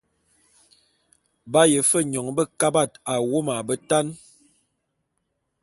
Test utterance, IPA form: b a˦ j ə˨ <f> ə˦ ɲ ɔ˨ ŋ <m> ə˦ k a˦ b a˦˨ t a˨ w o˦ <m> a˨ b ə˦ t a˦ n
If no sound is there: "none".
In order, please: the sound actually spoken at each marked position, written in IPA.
f, b, m

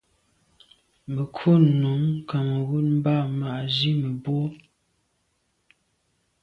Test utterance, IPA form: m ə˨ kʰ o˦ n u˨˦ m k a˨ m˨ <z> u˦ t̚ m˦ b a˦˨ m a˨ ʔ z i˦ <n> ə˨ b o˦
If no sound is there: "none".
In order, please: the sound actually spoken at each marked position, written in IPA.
ɣ, m

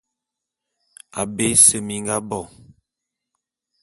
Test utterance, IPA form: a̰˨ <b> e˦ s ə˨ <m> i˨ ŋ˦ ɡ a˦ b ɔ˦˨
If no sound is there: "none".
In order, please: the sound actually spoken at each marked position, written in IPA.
b, m

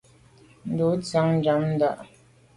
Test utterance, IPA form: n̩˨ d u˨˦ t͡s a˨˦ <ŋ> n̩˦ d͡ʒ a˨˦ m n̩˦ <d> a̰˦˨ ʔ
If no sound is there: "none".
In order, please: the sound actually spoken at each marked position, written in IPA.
ŋ, d

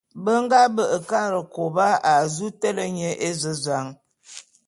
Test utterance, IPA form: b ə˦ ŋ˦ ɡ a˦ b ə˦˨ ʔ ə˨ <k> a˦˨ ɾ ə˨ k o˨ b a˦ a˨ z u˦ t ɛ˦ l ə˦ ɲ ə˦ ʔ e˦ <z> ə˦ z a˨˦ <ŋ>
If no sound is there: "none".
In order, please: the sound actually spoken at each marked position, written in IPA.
k, z, ŋ

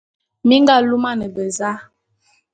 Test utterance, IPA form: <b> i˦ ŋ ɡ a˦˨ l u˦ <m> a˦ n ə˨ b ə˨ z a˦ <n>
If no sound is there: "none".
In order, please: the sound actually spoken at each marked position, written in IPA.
m, m, none

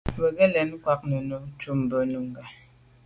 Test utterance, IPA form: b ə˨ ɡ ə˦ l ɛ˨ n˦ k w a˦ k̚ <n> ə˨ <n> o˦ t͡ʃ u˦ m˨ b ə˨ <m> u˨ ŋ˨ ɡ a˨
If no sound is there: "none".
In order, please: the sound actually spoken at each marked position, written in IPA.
n, n, n

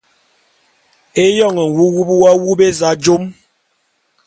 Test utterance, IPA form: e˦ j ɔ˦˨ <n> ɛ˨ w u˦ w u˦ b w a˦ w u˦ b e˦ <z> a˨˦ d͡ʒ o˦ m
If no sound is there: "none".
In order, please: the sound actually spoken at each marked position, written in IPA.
ŋ, z

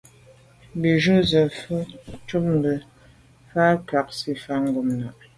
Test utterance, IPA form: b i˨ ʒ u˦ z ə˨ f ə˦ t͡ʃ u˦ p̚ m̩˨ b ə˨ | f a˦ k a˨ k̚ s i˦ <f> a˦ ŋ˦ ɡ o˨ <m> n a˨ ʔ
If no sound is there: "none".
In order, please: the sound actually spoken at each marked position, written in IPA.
f, m

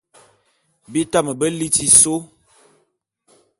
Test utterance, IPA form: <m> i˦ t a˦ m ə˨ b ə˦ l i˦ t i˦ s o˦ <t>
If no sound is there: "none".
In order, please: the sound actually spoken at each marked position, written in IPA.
b, none

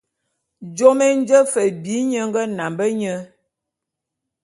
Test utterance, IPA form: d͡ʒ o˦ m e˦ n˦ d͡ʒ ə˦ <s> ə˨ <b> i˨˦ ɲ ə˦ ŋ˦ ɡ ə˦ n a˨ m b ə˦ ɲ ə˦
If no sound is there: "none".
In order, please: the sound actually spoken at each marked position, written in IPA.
f, b

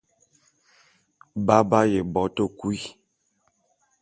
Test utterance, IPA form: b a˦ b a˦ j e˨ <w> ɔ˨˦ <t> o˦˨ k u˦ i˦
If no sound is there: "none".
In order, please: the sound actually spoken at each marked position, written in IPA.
b, t

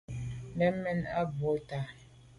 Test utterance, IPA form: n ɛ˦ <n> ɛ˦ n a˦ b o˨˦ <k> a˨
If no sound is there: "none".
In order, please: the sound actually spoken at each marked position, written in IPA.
m, t

